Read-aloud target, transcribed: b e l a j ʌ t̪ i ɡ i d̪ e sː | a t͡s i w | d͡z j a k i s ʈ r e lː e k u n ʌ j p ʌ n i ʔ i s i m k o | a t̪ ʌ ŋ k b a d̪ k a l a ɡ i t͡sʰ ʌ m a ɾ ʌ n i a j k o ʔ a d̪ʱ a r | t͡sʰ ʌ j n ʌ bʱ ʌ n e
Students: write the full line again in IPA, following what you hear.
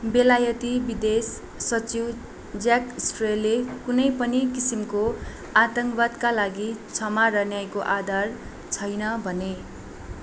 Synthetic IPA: b e l a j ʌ t̪ i b i d̪ e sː | ʌ t͡s i w | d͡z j a k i s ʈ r e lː e k u n ʌ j p ʌ n i k i s i m k o | a t̪ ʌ ŋ k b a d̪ k a l a ɡ i t͡sʰ ʌ m a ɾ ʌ n j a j k o ʔ a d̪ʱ a r | t͡sʰ ʌ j n ʌ bʱ ʌ n e

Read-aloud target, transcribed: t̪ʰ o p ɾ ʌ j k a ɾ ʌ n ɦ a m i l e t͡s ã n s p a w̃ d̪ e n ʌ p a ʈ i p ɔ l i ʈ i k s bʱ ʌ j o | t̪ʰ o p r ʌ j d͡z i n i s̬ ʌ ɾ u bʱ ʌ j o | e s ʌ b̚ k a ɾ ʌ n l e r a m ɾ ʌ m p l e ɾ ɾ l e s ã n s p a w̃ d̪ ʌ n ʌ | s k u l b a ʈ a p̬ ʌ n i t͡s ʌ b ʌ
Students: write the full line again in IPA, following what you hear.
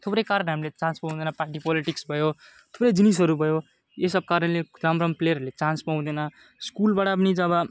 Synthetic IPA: t̪ʰ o p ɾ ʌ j k a ɾ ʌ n ɦ a m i l e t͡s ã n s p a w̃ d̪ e n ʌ p a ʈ i p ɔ l i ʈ i k s bʱ ʌ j o | t̪ʰ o p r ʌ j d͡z i n i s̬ ʌ ɾ u bʱ ʌ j o | e s ʌ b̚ k a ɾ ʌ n l e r a m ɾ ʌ m p l e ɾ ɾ l e t͡s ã n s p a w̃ d̪ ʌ n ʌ | s k u l b a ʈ a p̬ ʌ n i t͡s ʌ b ʌ

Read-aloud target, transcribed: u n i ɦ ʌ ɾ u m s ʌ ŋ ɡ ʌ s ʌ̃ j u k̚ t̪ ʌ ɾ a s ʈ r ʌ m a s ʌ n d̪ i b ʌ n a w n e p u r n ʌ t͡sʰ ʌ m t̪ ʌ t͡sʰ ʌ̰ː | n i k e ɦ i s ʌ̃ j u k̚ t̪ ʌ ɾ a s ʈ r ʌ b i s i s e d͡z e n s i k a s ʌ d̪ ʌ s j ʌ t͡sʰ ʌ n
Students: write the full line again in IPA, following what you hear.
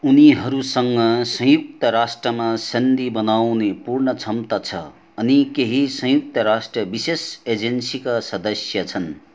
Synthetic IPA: u n i ɦ ʌ ɾ u s ʌ ŋ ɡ ʌ s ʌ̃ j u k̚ t̪ ʌ ɾ a s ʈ r ʌ m a s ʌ n d̪ i b ʌ n a w n e p u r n ʌ t͡sʰ ʌ m t̪ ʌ t͡sʰ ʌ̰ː | n i k e ɦ i s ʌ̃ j u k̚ t̪ ʌ ɾ a s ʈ r ʌ b i s e s e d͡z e n s i k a s ʌ d̪ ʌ s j ʌ t͡sʰ ʌ n

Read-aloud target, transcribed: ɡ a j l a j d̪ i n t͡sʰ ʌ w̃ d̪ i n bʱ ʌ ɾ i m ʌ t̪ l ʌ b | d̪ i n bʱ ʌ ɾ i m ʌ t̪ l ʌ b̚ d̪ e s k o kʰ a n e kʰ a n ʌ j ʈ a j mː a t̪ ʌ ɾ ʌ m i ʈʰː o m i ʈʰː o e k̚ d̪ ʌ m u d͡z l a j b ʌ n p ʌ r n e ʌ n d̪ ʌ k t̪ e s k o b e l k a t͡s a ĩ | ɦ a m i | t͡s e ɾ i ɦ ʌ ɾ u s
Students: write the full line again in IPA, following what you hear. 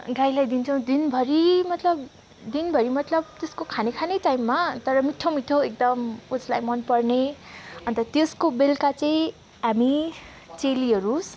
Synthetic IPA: ɡ a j l a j d̪ i n t͡sʰ ʌ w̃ d̪ i n bʱ ʌ ɾ i m ʌ t̪ l ʌ b | d̪ i n bʱ ʌ ɾ i m ʌ t̪ l ʌ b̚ t̪ e s k o kʰ a n e kʰ a n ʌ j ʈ a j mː a t̪ ʌ ɾ ʌ m i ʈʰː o m i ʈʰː o e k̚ d̪ ʌ m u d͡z l a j m ʌ n p ʌ r n e ʌ n t̪ ʌ t̪ e s k o b e l k a t͡s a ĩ | ɦ a m i | t͡s e l i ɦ ʌ ɾ u s

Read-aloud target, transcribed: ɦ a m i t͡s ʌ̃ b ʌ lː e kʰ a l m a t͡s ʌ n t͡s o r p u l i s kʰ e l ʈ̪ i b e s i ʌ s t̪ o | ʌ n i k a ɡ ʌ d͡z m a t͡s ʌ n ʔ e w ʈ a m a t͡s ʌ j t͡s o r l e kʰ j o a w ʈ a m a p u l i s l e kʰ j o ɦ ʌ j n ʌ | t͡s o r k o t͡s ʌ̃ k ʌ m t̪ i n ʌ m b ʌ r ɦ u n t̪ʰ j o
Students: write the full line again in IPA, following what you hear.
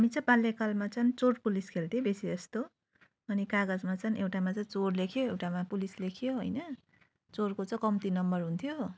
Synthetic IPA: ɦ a m i t͡s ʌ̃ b a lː e k a l m a t͡s ʌ n t͡s o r p u l i s kʰ e l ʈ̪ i b e s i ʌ s t̪ o | ʌ n i k a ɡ ʌ d͡z m a t͡s ʌ n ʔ e w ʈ a m a t͡s ʌ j t͡s o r l e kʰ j o e w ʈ a m a p u l i s l e kʰ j o ɦ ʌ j n ʌ | t͡s o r k o t͡s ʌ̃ k ʌ m t̪ i n ʌ m b ʌ r ɦ u n t̪ʰ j o

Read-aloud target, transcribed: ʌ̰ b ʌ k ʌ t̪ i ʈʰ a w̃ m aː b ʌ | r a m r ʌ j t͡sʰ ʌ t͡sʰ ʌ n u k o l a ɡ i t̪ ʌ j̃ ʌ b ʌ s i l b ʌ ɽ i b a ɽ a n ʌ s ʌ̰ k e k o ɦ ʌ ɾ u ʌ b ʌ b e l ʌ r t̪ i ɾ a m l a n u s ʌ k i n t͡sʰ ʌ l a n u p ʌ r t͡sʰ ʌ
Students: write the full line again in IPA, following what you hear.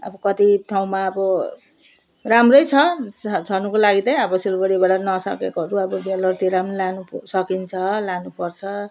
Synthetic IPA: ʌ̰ b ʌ k ʌ t̪ i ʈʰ a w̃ m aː b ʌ | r a m r ʌ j t͡sʰ ʌ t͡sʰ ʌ n u k o l a ɡ i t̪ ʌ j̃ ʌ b ʌ s i l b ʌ ɽ i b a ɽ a n ʌ s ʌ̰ k e k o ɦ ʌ ɾ u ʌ b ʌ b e l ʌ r t̪ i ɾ a m l a n u s ʌ k i n t͡sʰ ʌ l a n u p ʌ r t͡sʰ ʌ

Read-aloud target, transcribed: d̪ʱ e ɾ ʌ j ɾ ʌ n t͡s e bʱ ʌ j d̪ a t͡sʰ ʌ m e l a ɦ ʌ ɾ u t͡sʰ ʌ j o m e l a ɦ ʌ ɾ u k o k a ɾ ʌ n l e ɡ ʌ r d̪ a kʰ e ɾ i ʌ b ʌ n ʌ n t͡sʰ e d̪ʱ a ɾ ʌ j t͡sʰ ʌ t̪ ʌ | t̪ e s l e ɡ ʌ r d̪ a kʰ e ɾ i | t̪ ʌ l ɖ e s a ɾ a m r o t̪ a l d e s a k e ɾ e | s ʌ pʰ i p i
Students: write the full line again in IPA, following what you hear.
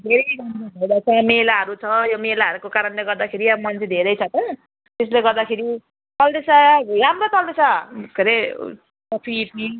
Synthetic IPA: d̪ʱ e ɾ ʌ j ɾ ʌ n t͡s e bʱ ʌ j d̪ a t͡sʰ ʌ m e l a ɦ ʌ ɾ u t͡sʰ ʌ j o m e l a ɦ ʌ ɾ u k o k a ɾ ʌ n l e ɡ ʌ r d̪ a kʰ e ɾ i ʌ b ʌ m ʌ n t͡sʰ e d̪ʱ e ɾ ʌ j t͡sʰ ʌ t̪ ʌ | t̪ e s l e ɡ ʌ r d̪ a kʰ e ɾ i | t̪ ʌ l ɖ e s a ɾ a m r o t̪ ʌ l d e s a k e ɾ e | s ʌ pʰ i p i

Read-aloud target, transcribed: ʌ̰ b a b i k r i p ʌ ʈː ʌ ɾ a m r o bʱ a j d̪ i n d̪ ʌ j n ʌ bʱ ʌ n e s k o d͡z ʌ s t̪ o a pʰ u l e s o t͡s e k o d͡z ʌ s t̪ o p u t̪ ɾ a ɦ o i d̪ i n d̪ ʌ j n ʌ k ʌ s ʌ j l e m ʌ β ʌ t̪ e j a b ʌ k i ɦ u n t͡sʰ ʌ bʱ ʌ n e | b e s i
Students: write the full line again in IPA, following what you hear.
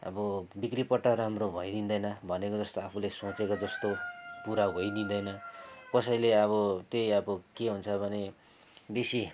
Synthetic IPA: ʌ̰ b ʌ b i k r i p ʌ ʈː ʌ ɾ a m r o bʱ ʌ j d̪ i n d̪ ʌ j n ʌ bʱ ʌ n e k o d͡z ʌ s t̪ o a pʰ u l e s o t͡s e k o d͡z ʌ s t̪ o p u ɾ a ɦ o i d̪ i n d̪ ʌ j n ʌ k ʌ s ʌ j l e ʌ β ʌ t̪ e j ʌ b ʌ k e ɦ u n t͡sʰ ʌ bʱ ʌ n e | b e s i

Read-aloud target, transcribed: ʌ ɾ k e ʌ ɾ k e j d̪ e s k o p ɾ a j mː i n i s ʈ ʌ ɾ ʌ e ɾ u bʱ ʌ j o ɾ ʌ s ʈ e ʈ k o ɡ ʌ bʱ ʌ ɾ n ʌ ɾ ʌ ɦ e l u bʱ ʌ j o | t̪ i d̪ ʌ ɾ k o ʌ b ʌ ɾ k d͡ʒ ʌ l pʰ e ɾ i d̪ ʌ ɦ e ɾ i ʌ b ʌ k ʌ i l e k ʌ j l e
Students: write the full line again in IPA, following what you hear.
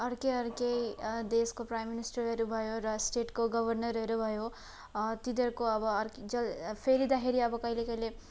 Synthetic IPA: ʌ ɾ k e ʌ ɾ k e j d̪ e s k o p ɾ a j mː i n i s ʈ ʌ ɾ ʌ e ɾ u bʱ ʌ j o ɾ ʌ s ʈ e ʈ k o ɡ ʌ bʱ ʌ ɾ n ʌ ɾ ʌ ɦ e ɾ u bʱ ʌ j o | t̪ i d̪ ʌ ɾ k o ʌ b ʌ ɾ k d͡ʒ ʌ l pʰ e ɾ i d̪ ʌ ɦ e ɾ i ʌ b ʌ k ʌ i l e k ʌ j l e

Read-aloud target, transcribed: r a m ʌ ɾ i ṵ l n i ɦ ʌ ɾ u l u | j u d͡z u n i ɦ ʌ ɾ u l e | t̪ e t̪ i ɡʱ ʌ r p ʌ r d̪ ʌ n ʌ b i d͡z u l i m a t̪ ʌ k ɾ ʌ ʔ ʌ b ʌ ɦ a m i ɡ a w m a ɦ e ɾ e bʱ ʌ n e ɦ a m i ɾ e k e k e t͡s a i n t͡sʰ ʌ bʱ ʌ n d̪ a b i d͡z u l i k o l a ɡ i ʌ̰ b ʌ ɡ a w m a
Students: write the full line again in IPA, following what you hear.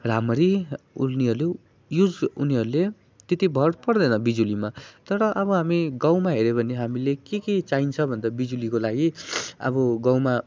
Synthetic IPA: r a m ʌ ɾ i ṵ l n i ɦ ʌ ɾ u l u | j u d͡z u n i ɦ ʌ ɾ u l e | t̪ e t̪ i bʱ ʌ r p ʌ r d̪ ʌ n ʌ b i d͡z u l i m a t̪ ʌ ɾ ʌ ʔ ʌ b ʌ ɦ a m i ɡ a w m a ɦ e ɾ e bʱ ʌ n e ɦ a m i l e k e k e t͡s a i n t͡sʰ ʌ bʱ ʌ n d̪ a b i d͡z u l i k o l a ɡ i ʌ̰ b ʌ ɡ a w m a

